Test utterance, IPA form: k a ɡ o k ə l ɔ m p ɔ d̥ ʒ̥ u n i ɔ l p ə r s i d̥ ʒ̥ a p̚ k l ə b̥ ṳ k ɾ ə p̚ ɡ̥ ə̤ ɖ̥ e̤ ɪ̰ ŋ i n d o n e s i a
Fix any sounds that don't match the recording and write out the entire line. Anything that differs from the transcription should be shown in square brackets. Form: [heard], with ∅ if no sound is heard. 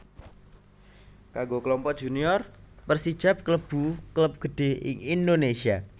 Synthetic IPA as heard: k a ɡ o k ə l ɔ m p ɔ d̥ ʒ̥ u n i ɔ [r] p ə r s i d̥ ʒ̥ a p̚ k l ə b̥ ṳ k [l] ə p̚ ɡ̥ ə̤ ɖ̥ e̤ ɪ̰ ŋ i n d o n e s i a